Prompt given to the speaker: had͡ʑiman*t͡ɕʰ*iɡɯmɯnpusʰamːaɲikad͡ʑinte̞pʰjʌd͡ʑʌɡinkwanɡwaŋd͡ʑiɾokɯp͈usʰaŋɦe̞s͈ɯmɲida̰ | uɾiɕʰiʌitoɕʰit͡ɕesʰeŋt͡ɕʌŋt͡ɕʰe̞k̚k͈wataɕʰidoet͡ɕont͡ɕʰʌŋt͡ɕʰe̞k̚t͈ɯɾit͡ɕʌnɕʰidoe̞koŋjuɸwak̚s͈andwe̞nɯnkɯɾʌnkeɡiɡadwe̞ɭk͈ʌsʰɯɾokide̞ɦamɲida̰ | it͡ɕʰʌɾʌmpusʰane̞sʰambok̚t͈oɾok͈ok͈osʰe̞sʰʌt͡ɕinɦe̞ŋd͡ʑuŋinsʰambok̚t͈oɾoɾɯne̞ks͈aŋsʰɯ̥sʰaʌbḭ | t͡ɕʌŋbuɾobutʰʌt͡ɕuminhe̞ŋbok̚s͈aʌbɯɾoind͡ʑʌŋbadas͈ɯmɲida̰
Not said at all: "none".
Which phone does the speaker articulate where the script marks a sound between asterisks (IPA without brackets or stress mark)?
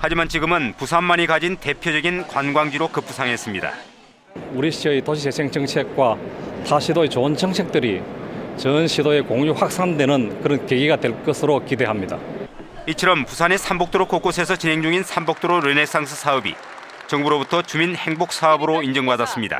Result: t͡ɕ